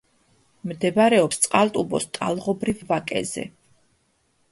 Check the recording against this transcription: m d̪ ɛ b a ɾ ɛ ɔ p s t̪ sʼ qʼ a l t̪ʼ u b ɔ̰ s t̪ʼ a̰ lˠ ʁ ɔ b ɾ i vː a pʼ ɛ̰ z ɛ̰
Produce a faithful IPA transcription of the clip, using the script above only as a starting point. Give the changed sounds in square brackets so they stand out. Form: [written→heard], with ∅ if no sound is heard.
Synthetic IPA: m d̪ ɛ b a ɾ ɛ ɔ p s t̪ sʼ qʼ a l t̪ʼ u b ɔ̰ s t̪ʼ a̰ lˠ ʁ ɔ b ɾ i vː a [pʼ→kʼ] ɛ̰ z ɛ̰